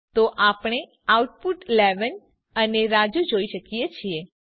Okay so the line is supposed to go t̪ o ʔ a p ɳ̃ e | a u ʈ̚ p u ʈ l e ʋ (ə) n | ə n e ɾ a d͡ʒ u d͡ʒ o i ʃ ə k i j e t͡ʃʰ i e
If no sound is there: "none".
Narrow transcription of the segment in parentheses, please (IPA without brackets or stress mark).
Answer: ə